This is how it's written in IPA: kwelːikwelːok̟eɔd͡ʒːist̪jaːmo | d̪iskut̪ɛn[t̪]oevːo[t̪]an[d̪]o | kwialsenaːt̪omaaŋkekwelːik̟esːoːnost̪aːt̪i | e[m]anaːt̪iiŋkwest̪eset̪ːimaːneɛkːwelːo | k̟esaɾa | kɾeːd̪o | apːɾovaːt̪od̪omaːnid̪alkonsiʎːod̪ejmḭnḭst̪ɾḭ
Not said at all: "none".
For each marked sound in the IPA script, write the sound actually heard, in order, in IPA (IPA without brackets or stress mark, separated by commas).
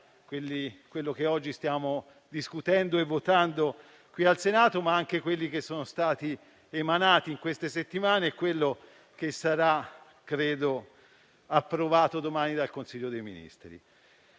d̪, t̪, d̪, m